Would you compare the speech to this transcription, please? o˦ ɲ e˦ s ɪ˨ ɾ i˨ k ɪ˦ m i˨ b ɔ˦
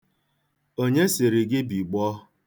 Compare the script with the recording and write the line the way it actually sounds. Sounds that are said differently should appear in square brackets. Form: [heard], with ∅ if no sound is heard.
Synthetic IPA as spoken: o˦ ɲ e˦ s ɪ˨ ɾ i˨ [ɡ] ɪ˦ [b] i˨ [ɡ͡b] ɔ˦